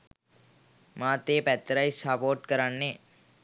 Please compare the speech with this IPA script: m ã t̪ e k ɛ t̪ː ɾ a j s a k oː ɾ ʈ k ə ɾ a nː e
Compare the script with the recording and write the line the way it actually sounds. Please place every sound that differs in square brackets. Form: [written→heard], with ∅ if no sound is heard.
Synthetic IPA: m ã t̪ e [k→p] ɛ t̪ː ɾ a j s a [k→p] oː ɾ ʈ k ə ɾ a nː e